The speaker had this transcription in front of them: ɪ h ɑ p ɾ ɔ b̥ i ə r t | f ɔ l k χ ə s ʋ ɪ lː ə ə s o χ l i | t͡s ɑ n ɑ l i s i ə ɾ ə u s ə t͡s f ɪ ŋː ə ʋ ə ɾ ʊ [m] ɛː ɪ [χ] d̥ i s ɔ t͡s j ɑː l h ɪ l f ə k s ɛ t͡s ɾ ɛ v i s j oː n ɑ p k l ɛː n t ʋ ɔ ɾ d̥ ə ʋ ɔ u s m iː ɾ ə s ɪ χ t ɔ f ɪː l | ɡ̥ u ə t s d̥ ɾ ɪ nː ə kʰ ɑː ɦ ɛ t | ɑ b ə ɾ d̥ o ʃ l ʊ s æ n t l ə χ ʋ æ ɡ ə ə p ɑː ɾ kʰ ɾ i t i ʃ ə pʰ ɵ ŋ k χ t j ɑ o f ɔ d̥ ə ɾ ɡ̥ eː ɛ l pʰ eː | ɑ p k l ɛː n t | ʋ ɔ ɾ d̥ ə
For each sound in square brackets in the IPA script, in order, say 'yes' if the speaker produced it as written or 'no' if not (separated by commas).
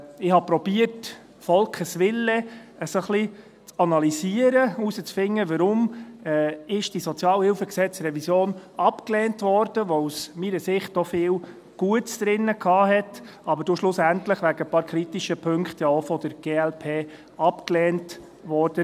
yes, no